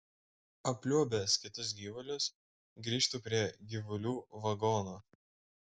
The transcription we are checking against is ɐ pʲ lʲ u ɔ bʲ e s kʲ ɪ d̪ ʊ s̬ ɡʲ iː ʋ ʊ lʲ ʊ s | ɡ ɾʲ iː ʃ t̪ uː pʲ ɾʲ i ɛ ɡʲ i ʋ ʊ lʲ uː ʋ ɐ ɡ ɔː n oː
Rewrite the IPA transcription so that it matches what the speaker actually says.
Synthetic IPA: ɐ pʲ lʲ u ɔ bʲ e s kʲ ɪ t̪ ʊ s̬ ɡʲ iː ʋ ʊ lʲ ʊ s | ɡ ɾʲ iː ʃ t̪ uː pʲ ɾʲ i ɛ ɡʲ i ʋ ʊ lʲ uː ʋ ɐ ɡ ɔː n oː